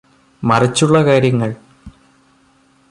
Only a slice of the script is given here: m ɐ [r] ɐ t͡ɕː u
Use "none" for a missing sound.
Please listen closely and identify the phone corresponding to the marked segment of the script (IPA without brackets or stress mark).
r